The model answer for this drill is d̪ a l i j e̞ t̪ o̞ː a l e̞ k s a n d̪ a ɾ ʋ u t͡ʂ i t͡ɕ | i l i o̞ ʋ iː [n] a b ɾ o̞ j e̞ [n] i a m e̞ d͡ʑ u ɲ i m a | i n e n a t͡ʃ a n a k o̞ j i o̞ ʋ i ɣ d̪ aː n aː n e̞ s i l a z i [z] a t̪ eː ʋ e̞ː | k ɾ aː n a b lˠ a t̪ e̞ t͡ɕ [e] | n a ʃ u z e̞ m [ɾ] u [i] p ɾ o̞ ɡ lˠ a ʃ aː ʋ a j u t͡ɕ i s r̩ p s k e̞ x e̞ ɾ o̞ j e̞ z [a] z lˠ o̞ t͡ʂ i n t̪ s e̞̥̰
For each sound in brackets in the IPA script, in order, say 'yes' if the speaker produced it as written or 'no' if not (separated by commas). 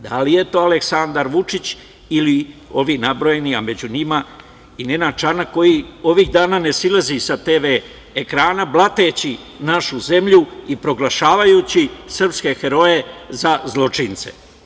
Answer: yes, yes, no, no, no, yes, yes